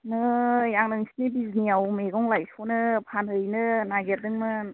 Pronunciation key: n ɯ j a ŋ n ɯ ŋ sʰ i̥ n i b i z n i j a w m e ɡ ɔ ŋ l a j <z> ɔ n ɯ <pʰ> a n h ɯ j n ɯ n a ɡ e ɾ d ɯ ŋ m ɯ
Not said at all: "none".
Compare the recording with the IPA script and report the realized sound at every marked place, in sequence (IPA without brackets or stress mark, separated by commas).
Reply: s, pʰ